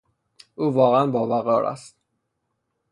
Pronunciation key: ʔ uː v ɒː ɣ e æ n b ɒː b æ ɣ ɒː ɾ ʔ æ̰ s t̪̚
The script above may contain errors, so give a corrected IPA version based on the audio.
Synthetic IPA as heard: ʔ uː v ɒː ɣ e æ n b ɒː v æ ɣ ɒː ɾ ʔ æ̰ s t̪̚